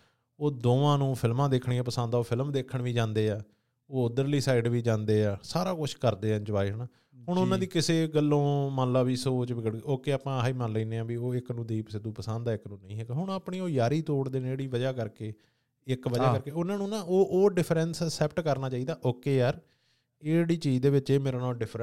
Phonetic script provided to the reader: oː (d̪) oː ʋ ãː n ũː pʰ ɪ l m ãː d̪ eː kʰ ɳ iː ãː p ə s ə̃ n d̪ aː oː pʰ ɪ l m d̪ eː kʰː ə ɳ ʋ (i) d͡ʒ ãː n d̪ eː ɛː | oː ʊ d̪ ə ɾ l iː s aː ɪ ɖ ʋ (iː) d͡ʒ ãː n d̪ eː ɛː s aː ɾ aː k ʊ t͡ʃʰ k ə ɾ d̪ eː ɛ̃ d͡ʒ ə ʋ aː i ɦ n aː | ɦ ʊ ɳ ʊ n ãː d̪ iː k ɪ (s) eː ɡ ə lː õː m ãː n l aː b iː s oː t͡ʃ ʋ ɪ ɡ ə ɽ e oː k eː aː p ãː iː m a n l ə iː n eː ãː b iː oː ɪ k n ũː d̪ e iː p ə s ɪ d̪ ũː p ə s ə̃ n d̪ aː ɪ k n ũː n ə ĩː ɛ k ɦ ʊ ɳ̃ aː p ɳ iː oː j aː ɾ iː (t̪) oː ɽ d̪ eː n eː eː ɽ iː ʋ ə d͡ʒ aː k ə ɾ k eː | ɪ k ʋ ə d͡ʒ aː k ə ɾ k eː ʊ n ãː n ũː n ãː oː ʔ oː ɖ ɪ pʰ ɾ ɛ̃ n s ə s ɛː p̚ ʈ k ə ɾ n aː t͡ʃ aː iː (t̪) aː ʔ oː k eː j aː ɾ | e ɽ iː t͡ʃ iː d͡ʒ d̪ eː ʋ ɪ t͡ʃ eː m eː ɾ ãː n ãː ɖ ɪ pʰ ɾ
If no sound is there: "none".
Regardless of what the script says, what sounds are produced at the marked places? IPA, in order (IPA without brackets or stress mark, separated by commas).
d̪, iː, iː, s, t̪, d̪